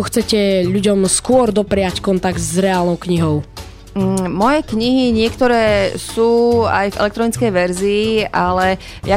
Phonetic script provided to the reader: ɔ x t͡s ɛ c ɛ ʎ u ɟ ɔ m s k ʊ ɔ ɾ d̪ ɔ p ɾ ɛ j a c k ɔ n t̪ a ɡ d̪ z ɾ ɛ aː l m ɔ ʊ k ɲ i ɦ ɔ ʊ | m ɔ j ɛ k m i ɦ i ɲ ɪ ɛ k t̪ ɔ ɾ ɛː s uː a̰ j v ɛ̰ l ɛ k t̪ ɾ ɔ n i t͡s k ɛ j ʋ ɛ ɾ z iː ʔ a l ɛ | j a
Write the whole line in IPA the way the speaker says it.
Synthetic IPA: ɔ x t͡s ɛ c ɛ ʎ u ɟ ɔ m s k ʊ ɔ ɾ d̪ ɔ p ɾ ɛ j a c k ɔ n t̪ a ɡ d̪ z ɾ ɛ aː l n ɔ ʊ k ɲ i ɦ ɔ ʊ | m ɔ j ɛ k ɲ i ɦ i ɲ ɪ ɛ k t̪ ɔ ɾ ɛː s uː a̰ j v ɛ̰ l ɛ k t̪ ɾ ɔ n i t͡s k ɛ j ʋ ɛ ɾ z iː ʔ a l ɛ | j a